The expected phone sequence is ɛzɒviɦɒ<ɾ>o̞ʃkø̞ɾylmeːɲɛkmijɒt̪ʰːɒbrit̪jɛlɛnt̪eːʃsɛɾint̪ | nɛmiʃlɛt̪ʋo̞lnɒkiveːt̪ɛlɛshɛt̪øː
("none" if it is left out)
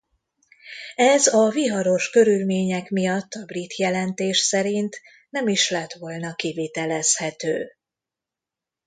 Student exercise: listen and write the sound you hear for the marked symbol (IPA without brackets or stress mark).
ɾ